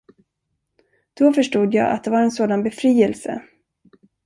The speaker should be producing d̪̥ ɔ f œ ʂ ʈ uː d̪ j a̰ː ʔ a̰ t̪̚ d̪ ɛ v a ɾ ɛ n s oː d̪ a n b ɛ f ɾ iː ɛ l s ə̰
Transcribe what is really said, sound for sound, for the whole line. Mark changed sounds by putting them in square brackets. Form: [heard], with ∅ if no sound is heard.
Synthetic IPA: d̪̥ ɔ f œ ʂ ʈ uː d̪ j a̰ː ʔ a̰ t̪̚ d̪ ɛ v a ɾ ɛ n s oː d̪ a n b ɛ f ɾ iː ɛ l s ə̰